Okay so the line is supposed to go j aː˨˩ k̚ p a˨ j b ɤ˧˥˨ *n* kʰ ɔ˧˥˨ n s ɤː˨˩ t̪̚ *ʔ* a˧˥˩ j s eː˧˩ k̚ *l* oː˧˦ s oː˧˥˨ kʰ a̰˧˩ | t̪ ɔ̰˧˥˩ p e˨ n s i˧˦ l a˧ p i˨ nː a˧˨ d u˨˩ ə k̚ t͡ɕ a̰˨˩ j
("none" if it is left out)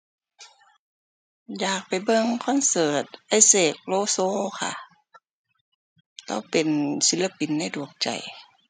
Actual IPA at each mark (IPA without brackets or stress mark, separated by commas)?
ŋ, ʔ, l